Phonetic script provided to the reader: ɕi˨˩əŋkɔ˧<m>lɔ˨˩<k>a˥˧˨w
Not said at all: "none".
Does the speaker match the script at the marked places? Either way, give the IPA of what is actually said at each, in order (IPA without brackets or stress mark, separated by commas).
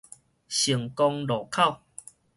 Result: ŋ, kʰ